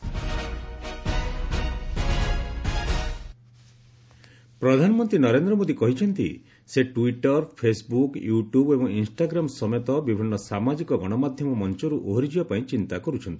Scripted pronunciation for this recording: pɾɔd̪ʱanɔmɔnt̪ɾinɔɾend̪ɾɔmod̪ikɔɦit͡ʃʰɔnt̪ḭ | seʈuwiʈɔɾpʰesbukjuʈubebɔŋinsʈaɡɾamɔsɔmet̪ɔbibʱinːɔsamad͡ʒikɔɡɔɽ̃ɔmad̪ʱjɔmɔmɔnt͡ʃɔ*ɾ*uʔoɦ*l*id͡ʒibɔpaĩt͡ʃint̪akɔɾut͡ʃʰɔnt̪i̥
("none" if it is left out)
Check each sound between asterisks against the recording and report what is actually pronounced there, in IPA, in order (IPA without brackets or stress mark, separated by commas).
ɾ, ɾ